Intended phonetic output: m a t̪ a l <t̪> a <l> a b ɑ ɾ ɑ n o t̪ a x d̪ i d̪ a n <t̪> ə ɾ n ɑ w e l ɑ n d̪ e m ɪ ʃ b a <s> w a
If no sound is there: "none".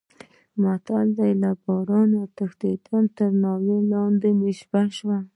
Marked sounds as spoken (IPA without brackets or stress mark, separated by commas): d̪, l, t̪, ʃ